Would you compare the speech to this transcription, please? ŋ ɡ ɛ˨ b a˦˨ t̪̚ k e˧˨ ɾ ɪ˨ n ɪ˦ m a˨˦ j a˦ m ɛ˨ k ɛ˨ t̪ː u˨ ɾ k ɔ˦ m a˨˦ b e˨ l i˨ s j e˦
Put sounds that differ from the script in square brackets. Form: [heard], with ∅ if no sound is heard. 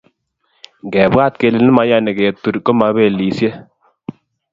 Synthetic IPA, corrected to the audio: ŋ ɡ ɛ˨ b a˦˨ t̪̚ k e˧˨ [l] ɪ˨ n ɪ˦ m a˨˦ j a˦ [n] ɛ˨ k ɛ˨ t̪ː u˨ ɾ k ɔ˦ m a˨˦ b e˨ l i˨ s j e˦